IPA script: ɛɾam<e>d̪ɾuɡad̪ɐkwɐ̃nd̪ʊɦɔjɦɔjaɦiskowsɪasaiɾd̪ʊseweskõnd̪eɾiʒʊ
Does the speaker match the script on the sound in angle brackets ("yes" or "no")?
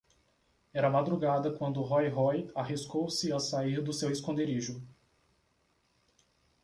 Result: no